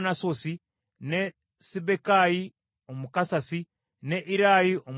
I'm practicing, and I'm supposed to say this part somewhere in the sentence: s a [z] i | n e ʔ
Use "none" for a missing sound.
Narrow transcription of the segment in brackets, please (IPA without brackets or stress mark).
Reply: s